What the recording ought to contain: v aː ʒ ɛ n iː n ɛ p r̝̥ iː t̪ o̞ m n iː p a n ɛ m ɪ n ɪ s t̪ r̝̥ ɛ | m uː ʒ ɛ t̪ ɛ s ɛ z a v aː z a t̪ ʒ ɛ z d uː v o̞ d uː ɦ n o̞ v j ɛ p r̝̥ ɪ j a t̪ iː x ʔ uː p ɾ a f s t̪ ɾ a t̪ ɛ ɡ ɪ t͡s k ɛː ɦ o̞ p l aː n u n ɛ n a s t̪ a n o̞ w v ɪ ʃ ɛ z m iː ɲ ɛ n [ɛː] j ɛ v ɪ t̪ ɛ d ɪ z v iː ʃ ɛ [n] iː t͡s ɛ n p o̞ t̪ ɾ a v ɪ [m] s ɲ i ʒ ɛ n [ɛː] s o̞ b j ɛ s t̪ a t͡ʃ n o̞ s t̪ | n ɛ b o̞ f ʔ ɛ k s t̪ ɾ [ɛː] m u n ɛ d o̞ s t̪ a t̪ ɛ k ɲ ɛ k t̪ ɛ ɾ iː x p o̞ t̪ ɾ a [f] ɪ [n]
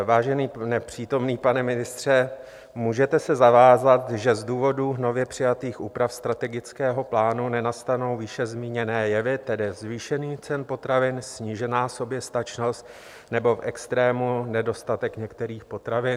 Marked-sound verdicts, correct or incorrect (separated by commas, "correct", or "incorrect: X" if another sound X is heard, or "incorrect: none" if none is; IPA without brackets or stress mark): correct, correct, incorrect: n, incorrect: aː, correct, incorrect: v, correct